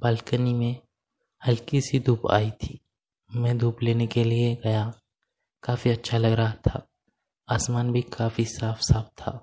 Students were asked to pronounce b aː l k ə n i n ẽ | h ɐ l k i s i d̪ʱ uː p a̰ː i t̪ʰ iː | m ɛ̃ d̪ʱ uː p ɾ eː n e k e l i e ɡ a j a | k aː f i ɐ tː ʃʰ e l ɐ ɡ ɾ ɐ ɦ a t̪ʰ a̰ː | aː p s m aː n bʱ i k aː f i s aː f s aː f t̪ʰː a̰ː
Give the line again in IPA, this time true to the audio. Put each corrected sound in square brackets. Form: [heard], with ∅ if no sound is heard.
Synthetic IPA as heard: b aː l k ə n i [m] ẽ | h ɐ l k i s i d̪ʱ uː p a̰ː i t̪ʰ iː | m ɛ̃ d̪ʱ uː p [l] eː n e k e l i e ɡ [ɐ] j a | k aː f i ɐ tː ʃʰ [a] l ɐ ɡ ɾ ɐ ɦ a t̪ʰ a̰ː | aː [∅] s m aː n bʱ i k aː f i s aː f s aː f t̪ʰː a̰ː